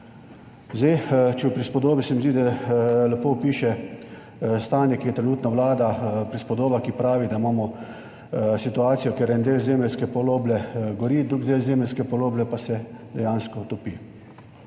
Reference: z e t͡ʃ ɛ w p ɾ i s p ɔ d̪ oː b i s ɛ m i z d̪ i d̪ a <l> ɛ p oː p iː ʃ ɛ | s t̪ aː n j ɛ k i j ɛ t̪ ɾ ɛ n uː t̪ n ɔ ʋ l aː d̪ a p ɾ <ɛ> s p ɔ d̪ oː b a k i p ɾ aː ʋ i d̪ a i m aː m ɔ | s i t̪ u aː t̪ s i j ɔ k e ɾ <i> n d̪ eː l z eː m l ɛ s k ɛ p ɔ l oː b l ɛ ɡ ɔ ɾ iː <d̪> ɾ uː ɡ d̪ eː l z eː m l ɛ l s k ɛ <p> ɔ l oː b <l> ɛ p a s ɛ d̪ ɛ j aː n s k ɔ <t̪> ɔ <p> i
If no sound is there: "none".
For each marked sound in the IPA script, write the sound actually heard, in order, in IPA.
l, i, ɛ, d̪, p, l, t̪, p

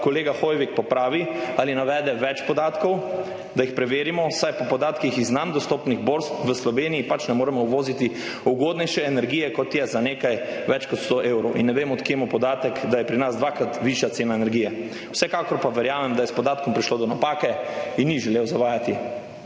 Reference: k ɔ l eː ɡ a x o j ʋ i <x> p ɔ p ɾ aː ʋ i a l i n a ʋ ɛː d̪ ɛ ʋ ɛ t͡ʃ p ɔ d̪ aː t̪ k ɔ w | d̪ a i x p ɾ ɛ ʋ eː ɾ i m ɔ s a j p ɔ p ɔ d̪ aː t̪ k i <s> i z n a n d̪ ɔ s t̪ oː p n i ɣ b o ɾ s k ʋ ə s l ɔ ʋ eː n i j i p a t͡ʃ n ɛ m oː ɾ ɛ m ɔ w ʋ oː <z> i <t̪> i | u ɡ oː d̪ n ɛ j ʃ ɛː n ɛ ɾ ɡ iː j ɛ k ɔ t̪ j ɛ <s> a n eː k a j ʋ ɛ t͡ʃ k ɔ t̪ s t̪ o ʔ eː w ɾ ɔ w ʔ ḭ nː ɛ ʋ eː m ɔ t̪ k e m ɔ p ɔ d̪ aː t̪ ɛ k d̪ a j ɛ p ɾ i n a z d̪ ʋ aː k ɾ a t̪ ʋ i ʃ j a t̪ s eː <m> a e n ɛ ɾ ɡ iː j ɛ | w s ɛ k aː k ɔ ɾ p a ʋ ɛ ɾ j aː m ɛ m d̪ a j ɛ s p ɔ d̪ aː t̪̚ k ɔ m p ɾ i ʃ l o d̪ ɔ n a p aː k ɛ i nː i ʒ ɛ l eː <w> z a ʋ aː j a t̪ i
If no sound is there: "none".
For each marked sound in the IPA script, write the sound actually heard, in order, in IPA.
k, x, z, t̪, z, n, w

